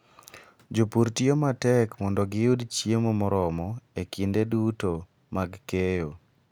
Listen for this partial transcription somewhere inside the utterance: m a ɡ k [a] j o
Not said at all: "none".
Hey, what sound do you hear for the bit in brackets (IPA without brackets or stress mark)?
e